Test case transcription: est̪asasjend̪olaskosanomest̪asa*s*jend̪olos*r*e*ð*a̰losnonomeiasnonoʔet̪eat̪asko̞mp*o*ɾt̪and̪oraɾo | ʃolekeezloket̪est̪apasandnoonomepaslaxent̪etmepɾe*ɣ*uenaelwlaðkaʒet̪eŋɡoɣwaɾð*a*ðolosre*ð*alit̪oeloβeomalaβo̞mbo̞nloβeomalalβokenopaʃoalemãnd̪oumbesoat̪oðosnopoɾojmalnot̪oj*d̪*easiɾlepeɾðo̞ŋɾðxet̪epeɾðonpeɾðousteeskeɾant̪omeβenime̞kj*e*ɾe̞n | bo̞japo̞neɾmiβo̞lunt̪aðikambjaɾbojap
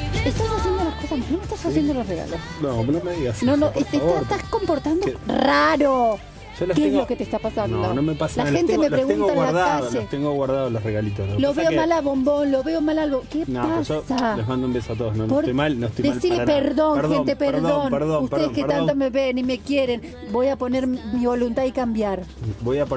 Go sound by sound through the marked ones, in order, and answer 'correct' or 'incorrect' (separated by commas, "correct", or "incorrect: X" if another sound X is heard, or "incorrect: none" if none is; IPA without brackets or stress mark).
correct, correct, incorrect: ɣ, correct, correct, correct, incorrect: ɣ, correct, correct